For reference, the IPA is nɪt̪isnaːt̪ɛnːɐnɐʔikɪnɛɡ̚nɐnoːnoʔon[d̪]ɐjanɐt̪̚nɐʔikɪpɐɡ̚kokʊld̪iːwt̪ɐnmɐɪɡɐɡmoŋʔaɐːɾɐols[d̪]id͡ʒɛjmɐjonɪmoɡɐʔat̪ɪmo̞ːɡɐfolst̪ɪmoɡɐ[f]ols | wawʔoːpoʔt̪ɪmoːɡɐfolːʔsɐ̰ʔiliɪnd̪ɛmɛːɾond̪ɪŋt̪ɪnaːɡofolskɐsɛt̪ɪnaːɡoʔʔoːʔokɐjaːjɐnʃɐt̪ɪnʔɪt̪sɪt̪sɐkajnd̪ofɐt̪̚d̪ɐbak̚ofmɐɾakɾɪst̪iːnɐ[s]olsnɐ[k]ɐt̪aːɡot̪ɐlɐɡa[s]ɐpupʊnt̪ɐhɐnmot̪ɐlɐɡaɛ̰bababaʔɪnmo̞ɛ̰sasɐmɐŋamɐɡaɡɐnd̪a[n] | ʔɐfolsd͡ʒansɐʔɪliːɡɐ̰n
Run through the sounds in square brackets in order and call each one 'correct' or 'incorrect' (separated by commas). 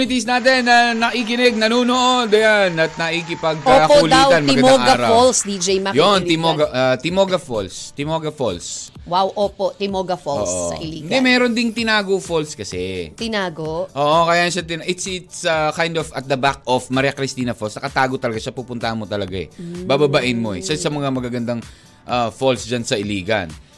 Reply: correct, correct, correct, incorrect, correct, incorrect, incorrect